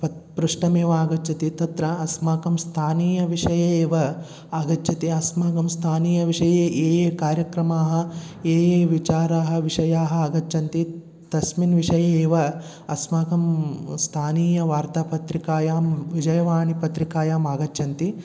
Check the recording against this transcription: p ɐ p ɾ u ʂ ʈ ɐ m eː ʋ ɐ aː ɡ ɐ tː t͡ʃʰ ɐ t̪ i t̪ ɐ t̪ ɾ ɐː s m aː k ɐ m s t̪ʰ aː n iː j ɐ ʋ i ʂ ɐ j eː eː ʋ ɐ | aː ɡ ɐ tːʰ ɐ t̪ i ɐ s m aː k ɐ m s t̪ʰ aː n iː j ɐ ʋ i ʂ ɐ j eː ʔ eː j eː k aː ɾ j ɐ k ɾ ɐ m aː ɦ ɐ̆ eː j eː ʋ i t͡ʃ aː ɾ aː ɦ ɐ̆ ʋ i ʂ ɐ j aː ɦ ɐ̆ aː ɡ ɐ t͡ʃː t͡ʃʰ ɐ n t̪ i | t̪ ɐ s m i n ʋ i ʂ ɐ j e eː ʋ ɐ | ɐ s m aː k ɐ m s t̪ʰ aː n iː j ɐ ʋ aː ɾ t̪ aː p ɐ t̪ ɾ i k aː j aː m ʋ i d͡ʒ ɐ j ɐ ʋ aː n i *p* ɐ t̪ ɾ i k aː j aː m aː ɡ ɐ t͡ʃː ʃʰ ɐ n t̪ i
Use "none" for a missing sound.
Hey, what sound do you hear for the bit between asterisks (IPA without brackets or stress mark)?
p